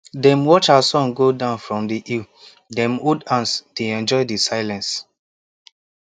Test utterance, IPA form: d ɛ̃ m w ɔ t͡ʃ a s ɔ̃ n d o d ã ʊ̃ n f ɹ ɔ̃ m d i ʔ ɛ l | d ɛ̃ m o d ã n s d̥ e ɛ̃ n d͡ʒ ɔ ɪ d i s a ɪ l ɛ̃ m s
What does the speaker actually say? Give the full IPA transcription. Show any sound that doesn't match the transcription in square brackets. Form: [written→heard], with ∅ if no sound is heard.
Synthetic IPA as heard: d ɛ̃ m w ɔ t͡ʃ a s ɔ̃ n [d→ɡ] o d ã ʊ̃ n f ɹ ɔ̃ m d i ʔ [ɛ→i] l | d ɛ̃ m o d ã n s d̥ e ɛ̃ n d͡ʒ ɔ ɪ d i s a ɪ l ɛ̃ [m→n] s